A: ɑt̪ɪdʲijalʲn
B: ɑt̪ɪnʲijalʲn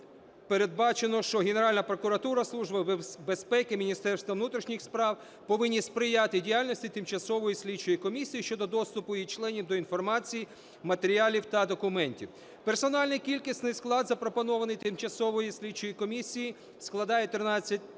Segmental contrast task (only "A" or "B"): A